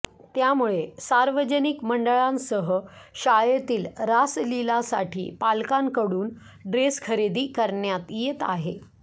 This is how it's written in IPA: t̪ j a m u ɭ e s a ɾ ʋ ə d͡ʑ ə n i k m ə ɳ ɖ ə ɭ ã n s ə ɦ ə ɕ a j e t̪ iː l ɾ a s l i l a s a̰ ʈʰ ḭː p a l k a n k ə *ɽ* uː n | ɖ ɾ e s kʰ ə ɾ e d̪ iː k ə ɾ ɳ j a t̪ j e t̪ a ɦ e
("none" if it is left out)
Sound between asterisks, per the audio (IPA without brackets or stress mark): ɽ